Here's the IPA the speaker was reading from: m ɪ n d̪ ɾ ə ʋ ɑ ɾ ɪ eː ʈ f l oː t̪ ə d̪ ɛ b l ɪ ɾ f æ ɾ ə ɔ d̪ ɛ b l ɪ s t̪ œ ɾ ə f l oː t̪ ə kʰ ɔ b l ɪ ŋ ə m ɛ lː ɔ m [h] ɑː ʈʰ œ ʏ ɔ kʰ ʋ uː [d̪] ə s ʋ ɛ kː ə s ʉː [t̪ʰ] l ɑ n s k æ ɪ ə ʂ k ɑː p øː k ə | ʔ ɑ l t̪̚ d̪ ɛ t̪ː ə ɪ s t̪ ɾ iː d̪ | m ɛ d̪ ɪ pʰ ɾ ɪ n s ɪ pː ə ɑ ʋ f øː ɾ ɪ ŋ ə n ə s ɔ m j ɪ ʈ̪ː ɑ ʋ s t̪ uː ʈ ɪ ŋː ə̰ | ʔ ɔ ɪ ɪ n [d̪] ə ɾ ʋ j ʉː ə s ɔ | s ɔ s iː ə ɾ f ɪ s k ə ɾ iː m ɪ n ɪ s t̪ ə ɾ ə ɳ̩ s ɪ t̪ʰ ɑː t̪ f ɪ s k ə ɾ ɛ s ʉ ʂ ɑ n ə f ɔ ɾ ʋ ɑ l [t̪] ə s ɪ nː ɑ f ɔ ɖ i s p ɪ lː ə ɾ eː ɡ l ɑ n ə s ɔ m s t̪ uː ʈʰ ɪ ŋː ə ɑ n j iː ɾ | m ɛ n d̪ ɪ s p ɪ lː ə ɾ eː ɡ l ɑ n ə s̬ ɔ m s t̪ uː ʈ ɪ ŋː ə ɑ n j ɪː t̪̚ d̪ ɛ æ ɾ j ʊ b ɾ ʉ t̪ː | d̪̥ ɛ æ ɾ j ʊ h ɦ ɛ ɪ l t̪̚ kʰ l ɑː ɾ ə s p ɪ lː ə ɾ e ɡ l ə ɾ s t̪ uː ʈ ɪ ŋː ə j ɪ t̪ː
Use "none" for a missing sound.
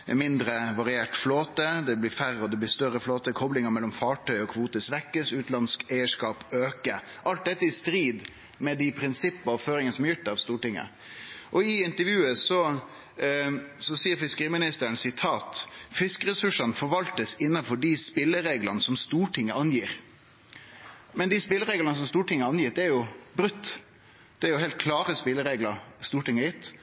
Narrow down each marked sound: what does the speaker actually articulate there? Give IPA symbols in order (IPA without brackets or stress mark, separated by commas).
f, t̪, t̪, t̪, t̪